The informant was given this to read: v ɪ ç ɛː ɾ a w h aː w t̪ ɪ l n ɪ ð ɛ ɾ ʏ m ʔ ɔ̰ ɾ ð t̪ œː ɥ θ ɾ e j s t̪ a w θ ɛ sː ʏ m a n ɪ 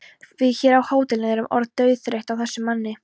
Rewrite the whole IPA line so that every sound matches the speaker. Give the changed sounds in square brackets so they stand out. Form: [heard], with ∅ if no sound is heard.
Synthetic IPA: v ɪ ç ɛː ɾ a w h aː w t̪ ɪ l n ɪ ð ɛ ɾ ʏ m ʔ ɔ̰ ɾ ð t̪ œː ɥ θ ɾ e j [h] t̪ a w θ ɛ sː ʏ m a [nː] ɪ